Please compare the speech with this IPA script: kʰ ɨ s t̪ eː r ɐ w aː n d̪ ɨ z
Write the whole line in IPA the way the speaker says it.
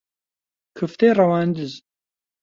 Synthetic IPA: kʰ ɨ f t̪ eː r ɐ w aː n d̪ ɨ z

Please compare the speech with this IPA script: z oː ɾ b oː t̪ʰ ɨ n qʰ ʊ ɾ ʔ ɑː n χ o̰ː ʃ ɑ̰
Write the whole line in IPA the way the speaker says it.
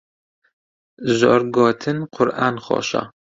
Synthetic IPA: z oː ɾ ɡ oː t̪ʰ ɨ n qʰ ʊ ɾ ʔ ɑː n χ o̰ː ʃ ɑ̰

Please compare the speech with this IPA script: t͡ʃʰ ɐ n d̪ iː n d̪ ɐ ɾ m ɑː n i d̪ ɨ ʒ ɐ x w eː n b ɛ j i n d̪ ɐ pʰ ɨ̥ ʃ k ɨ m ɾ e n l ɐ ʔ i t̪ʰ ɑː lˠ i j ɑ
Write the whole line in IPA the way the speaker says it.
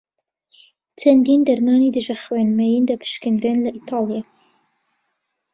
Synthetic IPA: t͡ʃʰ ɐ n d̪ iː n d̪ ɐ ɾ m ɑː n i d̪ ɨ ʒ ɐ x w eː n m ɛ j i n d̪ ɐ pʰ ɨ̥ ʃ k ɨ n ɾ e n l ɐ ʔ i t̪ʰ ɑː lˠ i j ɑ

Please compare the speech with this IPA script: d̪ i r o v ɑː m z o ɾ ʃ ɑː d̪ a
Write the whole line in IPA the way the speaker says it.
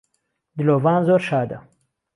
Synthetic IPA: d̪ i l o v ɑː n z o ɾ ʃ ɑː d̪ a

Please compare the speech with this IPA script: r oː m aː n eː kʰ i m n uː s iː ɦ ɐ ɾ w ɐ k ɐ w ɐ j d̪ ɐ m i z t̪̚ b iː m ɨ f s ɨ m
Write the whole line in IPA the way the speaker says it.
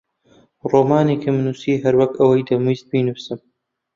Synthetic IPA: r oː m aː n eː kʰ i m n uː s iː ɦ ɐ ɾ w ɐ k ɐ w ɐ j d̪ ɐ m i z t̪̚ b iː n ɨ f s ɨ m

